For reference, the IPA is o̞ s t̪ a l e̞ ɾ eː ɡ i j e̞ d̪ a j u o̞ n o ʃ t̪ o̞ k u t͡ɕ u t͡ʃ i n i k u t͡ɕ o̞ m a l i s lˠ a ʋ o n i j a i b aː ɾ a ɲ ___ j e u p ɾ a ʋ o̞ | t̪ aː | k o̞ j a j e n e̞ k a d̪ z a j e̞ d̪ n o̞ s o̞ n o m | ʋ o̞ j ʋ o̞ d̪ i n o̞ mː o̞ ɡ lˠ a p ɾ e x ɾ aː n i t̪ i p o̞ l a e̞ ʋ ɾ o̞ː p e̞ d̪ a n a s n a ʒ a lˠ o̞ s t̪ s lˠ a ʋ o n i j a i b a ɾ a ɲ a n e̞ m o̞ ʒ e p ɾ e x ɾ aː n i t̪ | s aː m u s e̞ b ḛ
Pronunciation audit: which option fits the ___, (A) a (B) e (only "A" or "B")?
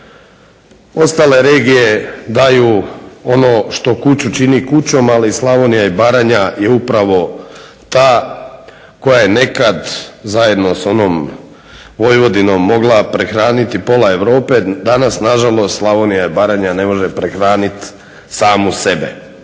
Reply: A